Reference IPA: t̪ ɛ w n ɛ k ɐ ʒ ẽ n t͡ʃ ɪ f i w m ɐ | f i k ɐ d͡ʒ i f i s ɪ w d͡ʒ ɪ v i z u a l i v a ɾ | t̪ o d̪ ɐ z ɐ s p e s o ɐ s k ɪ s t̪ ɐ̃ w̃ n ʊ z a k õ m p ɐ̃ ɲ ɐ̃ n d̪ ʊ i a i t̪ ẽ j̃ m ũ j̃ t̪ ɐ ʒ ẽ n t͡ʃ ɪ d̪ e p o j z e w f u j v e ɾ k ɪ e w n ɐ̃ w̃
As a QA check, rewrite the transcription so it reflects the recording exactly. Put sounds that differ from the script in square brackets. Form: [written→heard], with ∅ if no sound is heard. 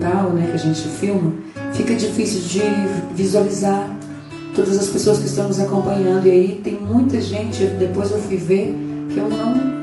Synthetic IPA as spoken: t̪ [ɛ→a] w n ɛ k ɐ ʒ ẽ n t͡ʃ ɪ f i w m ɐ | f i k ɐ d͡ʒ i f i s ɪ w d͡ʒ ɪ v i z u a l i [v→z] a ɾ | t̪ o d̪ ɐ z ɐ s p e s o ɐ s k ɪ s t̪ ɐ̃ w̃ n ʊ z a k õ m p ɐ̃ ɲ ɐ̃ n d̪ ʊ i a i t̪ ẽ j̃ m ũ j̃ t̪ ɐ ʒ ẽ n t͡ʃ ɪ d̪ e p o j z e w f u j v e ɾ k ɪ e w n ɐ̃ w̃